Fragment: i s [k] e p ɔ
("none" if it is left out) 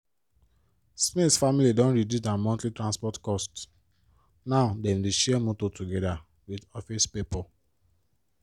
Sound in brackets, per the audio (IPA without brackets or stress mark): p